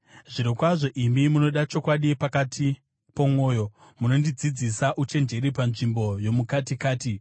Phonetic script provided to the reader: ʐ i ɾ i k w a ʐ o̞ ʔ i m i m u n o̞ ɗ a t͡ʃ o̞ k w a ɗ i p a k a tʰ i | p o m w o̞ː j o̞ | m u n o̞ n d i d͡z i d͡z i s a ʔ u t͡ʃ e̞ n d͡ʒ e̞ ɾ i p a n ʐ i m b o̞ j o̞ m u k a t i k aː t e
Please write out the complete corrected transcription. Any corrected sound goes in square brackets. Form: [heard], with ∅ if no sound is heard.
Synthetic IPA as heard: ʐ i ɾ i k w a ʐ o̞ ʔ i m i m u n o̞ ɗ a t͡ʃ o̞ k w a ɗ i p a k a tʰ i | p o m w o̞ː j o̞ | m u n o̞ n d i d͡z i d͡z i s a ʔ u t͡ʃ e̞ n d͡ʒ e̞ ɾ i p a n ʐ i m b o̞ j o̞ m u k a t i k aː t [i]